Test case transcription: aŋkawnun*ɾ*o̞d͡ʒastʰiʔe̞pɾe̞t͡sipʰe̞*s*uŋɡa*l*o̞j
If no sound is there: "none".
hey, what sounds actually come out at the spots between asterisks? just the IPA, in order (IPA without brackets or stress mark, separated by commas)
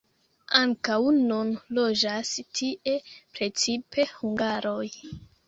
l, h, ɾ